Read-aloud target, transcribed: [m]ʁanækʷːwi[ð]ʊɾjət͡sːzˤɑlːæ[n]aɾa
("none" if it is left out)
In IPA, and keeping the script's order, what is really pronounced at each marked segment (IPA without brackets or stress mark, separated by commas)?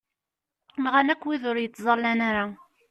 m, ð, n